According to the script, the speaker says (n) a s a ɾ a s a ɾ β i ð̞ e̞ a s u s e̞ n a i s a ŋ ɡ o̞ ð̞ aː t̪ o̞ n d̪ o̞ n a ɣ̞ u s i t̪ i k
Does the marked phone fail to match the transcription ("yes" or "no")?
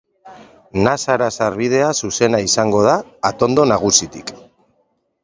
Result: no